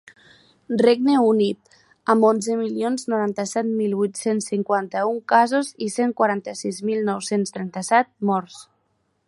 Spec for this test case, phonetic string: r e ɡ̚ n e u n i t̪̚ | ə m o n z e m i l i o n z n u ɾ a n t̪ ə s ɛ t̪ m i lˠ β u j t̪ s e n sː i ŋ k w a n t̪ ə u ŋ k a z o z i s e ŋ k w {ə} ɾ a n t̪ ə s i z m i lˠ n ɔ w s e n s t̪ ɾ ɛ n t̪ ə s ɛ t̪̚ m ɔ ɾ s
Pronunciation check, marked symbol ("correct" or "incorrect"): incorrect